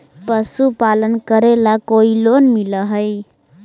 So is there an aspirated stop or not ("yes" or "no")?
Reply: no